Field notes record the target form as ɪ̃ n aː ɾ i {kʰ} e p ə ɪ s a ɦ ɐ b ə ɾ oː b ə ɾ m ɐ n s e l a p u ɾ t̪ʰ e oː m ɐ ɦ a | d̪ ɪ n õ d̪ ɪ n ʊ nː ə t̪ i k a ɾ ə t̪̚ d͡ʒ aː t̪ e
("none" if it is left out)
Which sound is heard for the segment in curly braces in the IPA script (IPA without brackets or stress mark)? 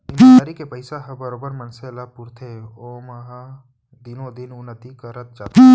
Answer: k